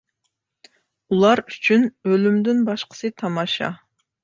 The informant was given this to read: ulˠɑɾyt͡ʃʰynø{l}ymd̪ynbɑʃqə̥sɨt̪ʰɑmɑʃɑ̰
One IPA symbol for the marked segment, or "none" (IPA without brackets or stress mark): l